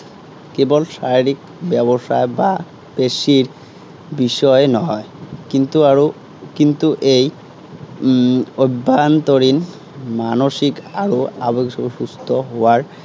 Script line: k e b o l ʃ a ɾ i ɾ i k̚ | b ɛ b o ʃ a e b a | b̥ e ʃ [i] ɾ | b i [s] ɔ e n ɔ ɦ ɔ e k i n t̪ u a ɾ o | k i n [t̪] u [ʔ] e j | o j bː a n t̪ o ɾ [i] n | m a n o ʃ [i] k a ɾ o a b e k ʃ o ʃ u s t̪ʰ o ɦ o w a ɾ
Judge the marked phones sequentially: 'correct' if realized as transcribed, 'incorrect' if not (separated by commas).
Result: correct, incorrect, correct, correct, correct, correct